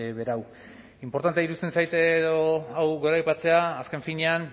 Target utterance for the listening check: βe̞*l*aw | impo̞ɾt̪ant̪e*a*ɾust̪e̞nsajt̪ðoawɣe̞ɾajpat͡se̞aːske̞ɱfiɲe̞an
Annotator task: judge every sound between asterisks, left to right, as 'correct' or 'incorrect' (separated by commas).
incorrect, incorrect